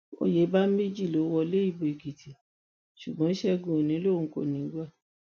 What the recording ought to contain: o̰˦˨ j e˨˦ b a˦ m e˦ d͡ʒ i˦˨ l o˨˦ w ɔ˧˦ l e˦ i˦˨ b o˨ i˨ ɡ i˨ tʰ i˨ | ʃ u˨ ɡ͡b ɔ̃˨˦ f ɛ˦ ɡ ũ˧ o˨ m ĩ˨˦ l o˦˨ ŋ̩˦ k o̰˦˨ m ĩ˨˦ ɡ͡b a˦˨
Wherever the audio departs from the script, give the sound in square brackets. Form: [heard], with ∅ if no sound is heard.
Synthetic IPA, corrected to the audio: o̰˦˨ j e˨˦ b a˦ m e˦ d͡ʒ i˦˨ l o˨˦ w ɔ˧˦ l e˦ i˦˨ b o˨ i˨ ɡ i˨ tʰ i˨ | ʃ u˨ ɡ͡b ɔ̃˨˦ [ʃ] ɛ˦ ɡ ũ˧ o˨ [n] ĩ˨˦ l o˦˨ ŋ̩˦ k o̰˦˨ [n] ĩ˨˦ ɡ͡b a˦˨